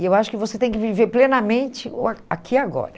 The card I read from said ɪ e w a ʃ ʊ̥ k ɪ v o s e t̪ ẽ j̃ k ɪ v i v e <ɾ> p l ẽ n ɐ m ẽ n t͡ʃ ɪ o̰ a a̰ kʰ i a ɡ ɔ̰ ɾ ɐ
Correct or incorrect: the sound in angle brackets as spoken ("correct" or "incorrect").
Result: correct